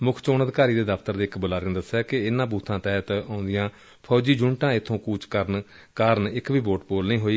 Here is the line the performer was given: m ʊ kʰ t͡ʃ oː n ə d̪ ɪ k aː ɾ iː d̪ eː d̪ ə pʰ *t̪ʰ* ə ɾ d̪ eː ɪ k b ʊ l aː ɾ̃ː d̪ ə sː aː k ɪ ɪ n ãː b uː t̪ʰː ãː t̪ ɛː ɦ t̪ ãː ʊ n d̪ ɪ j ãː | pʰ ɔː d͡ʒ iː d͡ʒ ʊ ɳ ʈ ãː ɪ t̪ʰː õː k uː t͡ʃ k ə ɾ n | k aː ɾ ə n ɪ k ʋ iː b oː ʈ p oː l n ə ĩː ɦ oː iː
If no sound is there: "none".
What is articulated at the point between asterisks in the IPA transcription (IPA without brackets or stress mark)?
t̪